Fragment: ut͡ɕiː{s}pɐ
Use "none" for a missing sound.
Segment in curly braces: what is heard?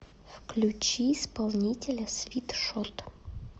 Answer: s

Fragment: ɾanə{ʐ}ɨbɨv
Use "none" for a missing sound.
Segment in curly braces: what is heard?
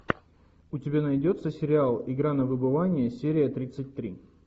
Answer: v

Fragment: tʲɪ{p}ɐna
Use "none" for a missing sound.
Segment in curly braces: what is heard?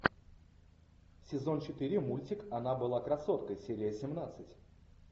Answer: k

